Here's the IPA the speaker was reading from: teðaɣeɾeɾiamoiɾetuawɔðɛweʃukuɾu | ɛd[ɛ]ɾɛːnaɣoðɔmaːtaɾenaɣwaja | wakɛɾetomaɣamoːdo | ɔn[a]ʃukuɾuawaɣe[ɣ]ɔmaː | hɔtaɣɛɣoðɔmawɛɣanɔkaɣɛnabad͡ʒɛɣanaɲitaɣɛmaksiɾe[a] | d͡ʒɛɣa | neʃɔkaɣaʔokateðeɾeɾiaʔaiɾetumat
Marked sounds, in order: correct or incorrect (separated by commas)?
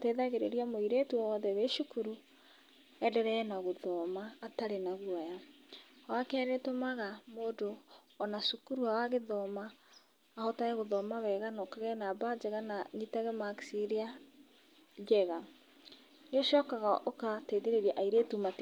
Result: correct, correct, incorrect, correct